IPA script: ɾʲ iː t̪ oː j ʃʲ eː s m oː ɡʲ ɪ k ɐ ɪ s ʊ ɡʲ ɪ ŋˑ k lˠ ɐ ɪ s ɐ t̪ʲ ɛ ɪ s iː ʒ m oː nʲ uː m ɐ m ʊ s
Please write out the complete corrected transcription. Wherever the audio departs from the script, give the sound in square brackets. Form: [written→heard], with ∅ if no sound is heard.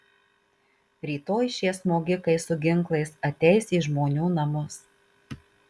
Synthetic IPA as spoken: ɾʲ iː t̪ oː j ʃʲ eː s m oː ɡʲ ɪ k ɐ ɪ s ʊ ɡʲ ɪ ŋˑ k lˠ ɐ ɪ s ɐ t̪ʲ ɛ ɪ s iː ʒ m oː nʲ uː [m→n] ɐ m ʊ s